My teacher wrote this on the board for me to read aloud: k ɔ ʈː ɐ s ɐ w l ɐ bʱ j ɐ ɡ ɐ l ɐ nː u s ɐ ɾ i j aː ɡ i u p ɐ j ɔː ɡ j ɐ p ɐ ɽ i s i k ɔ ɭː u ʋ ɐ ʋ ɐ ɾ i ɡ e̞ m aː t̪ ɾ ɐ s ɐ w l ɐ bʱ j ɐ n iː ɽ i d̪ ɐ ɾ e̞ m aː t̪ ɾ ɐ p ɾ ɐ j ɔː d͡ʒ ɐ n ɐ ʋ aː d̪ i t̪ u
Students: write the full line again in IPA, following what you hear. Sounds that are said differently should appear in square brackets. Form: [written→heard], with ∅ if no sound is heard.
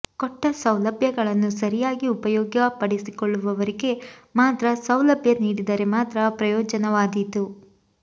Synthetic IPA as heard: k ɔ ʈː ɐ s ɐ w l ɐ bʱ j ɐ ɡ ɐ [l→ɭ] ɐ nː u s ɐ ɾ i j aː ɡ i u p ɐ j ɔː ɡ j ɐ p ɐ ɽ i s i k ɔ ɭː u ʋ ɐ ʋ ɐ ɾ i ɡ e̞ m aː t̪ ɾ ɐ s ɐ w l ɐ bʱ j ɐ n iː ɽ i d̪ ɐ ɾ e̞ m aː t̪ ɾ ɐ p ɾ ɐ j ɔː d͡ʒ ɐ n ɐ ʋ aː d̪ i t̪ u

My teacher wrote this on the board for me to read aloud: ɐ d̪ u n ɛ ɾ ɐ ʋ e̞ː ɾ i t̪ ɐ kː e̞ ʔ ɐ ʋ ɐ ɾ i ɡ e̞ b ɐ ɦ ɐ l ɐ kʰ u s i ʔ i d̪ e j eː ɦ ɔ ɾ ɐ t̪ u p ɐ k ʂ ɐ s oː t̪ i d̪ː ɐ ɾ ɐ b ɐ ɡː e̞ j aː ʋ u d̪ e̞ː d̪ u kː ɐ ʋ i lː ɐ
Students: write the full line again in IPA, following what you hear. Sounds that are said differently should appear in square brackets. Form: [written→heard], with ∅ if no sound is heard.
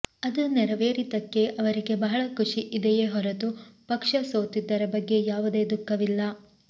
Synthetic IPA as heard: ɐ d̪ u n ɛ ɾ ɐ ʋ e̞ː ɾ i t̪ ɐ kː e̞ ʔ ɐ ʋ ɐ ɾ i ɡ e̞ b ɐ ɦ ɐ [l→ɭ] ɐ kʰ u [s→ʂ] i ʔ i d̪ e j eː ɦ ɔ ɾ ɐ t̪ u p ɐ k ʂ ɐ s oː t̪ i d̪ː ɐ ɾ ɐ b ɐ ɡː e̞ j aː ʋ u d̪ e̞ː d̪ u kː ɐ ʋ i lː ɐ

